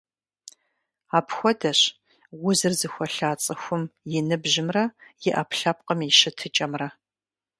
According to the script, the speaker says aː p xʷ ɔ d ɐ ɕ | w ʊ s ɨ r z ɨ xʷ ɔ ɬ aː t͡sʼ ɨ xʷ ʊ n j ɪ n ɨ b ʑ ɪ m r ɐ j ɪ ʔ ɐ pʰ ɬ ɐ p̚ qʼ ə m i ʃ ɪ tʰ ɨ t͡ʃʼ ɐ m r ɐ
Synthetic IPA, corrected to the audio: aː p xʷ ɔ d ɐ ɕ | w ʊ z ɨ r z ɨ xʷ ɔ ɬ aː t͡sʼ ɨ xʷ ʊ m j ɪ n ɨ b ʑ ɪ m r ɐ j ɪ ʔ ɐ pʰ ɬ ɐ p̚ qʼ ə m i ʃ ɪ tʰ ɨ t͡ʃʼ ɐ m r ɐ